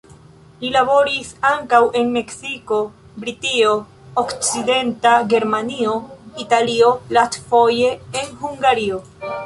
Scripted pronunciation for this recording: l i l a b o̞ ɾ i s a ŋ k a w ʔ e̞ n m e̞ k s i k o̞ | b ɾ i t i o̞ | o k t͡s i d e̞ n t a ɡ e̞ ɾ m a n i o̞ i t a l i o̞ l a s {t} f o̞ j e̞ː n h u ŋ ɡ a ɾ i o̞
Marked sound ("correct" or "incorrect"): correct